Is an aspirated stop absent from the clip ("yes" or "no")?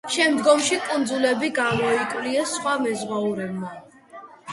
yes